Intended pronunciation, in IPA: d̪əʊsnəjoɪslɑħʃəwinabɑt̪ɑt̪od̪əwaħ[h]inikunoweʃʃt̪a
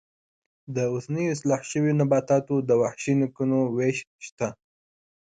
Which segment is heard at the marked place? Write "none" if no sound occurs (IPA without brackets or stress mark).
ʃ